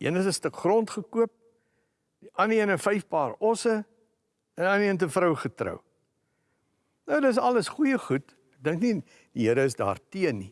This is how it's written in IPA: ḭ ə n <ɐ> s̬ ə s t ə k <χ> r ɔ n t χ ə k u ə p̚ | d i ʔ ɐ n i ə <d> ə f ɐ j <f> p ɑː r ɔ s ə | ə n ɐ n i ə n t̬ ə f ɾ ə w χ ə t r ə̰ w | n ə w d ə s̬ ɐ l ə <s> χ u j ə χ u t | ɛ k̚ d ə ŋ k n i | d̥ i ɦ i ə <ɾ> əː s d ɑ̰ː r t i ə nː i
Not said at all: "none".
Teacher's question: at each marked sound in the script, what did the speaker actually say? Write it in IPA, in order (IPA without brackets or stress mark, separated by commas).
ə, χ, n, f, s, ɾ